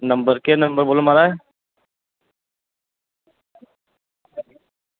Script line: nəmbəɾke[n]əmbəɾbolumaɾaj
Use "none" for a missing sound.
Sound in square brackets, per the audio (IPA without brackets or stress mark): n